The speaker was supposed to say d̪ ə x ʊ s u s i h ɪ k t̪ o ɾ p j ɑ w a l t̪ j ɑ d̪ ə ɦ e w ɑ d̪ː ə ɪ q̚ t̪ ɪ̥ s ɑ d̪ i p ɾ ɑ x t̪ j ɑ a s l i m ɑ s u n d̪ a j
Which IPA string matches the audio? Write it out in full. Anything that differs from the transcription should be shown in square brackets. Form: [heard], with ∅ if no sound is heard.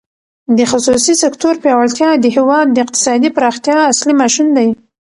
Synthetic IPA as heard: d̪ ə x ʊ s u s i [s] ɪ k t̪ o ɾ p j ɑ w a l t̪ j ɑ d̪ ə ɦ e w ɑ d̪ː ə ɪ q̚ t̪ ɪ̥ s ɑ d̪ i p ɾ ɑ x t̪ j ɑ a s l i m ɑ [ʃ] u n d̪ a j